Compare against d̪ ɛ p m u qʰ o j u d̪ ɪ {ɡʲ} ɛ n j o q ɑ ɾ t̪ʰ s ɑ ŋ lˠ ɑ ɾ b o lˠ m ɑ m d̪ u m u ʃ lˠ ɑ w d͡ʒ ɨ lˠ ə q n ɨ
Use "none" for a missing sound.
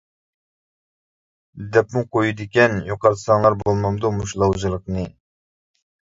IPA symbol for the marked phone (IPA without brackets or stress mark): kʲ